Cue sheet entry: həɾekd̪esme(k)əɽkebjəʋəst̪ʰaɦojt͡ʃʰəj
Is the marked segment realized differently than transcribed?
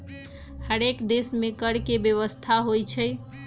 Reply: no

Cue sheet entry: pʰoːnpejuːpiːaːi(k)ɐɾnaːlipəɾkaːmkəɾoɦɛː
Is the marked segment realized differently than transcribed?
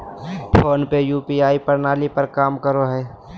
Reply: yes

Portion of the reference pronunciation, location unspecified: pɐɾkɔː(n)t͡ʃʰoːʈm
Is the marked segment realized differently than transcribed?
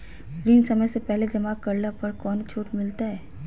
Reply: no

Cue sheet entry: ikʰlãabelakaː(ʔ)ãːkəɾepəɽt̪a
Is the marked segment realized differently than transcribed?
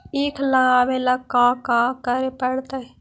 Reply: yes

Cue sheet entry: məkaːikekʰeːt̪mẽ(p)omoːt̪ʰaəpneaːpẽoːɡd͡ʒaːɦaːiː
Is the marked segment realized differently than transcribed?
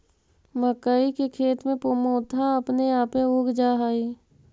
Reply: no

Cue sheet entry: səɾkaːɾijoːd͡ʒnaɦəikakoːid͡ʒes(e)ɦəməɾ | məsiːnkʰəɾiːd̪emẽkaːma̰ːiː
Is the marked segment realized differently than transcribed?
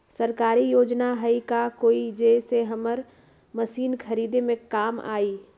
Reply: no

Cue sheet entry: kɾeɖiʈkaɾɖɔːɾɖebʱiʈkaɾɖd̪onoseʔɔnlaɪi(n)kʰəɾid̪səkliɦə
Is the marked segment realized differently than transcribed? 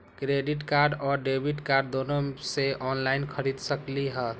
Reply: no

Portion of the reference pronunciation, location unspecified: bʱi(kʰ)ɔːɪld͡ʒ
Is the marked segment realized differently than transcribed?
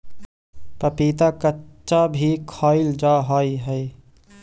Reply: no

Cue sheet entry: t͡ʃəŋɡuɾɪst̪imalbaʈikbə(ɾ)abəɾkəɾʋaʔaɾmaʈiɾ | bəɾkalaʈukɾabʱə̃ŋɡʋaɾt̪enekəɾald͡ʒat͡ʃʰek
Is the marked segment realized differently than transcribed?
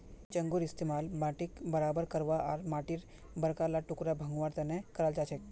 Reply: no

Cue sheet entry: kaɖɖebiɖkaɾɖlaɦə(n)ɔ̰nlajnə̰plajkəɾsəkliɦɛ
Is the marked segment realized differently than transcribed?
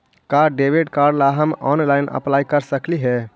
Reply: yes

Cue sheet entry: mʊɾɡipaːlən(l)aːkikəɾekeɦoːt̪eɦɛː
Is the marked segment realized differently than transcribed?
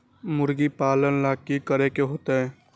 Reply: no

